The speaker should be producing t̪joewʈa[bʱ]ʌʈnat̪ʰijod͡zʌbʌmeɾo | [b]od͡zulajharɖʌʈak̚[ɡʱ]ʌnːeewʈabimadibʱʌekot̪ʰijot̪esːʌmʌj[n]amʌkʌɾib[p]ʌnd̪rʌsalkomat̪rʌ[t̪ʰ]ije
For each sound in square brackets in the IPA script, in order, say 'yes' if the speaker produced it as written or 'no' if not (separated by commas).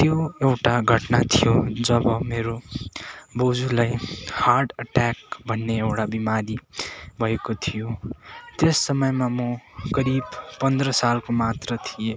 no, yes, no, no, yes, yes